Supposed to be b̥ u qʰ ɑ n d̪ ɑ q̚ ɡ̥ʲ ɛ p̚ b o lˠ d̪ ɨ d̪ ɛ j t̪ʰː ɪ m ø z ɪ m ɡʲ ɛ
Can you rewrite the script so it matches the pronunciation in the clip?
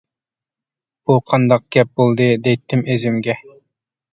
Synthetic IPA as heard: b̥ u qʰ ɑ n d̪ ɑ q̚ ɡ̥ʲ ɛ p̚ b o lˠ d̪ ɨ d̪ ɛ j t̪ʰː ɪ m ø z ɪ m ɡʲ ɛ